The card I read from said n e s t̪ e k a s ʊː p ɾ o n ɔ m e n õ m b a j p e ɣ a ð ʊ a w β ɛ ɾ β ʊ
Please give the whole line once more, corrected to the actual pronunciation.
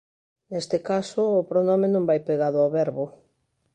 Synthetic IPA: n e s t̪ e k a s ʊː p ɾ o n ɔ m e n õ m b a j p e ɣ a ð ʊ a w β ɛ ɾ β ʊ